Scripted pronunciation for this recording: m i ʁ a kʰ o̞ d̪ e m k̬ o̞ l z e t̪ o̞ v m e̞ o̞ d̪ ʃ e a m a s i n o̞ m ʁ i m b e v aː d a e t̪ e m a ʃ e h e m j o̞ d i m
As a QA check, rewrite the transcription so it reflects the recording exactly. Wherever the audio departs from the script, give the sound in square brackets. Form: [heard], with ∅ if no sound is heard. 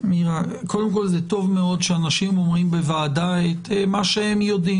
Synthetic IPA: m i ʁ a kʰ o̞ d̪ e m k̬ o̞ l z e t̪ o̞ v m e̞ o̞ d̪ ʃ e a [n] a [ʃ] i [m] o̞ m ʁ i m b e v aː d a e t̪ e m a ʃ e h e m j o̞ d i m